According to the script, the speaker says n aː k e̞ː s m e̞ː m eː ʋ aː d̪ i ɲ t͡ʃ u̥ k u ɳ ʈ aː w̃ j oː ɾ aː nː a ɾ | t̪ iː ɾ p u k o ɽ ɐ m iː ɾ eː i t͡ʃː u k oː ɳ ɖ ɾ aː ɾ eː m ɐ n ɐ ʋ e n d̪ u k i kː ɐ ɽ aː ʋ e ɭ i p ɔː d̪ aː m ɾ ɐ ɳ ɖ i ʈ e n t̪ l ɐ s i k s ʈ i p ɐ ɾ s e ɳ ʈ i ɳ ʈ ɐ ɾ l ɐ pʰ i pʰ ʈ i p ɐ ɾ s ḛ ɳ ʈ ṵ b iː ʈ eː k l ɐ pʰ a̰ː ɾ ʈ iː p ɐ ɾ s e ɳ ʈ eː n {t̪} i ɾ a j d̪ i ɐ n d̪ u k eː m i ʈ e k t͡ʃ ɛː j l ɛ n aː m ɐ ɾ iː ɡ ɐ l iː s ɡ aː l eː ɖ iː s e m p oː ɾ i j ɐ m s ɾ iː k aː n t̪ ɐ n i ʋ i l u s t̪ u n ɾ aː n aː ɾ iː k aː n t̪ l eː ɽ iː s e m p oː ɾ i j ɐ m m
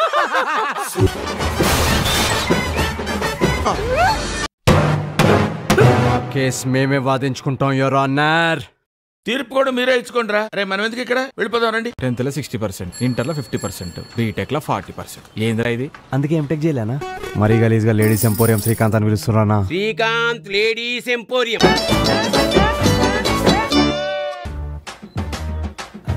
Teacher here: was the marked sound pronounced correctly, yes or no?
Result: no